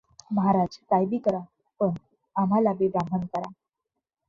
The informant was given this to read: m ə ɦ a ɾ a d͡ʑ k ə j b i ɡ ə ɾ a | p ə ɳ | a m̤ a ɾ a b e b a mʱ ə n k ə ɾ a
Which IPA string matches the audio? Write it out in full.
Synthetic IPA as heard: m ə ɦ a ɾ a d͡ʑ k a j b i k ə ɾ a | p ə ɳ | a m̤ a l a b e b a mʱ ə n k ə ɾ a